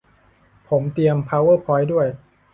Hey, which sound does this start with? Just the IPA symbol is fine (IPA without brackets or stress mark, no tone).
pʰ